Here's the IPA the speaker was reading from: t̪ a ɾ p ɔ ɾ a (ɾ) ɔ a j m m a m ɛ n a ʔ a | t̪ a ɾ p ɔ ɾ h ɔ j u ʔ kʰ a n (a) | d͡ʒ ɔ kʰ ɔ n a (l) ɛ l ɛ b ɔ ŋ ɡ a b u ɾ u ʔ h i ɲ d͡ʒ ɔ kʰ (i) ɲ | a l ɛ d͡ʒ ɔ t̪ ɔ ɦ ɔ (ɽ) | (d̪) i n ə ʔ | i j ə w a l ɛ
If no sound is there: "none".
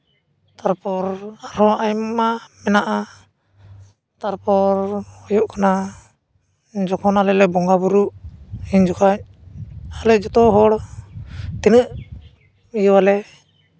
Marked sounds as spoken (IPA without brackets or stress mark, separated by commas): ɾ, a, l, a, ɽ, t̪